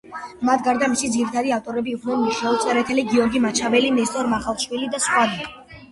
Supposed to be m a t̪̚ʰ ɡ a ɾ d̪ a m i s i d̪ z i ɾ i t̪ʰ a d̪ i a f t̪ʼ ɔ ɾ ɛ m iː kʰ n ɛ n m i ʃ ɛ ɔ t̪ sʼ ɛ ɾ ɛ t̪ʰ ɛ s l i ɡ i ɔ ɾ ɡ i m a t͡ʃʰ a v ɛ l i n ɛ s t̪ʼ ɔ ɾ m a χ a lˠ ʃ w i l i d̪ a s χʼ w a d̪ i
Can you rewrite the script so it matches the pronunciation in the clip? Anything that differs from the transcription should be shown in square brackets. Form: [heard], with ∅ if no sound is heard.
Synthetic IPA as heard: m a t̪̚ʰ ɡ a ɾ d̪ a m i s i d̪ z i ɾ i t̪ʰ a d̪ i a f t̪ʼ ɔ ɾ ɛ [b] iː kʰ n ɛ n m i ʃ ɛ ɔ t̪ sʼ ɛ ɾ ɛ t̪ʰ ɛ [∅] l i ɡ i ɔ ɾ ɡ i m a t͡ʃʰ a v ɛ l i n ɛ s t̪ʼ ɔ ɾ m a χ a lˠ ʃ w i l i d̪ a s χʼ w a d̪ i